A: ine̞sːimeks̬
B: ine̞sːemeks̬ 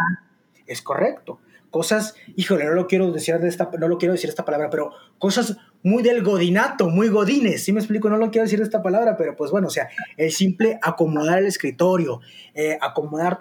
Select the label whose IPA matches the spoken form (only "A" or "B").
A